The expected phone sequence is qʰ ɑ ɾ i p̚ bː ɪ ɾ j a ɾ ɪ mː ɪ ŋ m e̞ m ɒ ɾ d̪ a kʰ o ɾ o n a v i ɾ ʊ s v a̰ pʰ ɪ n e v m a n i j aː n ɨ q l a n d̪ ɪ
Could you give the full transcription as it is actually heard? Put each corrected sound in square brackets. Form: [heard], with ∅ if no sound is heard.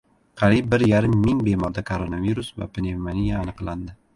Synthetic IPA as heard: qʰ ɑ ɾ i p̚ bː ɪ ɾ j a ɾ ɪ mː ɪ ŋ [b] e̞ m ɒ ɾ d̪ a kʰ o ɾ o n a v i ɾ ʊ s v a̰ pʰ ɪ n e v m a n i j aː n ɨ q l a n d̪ ɪ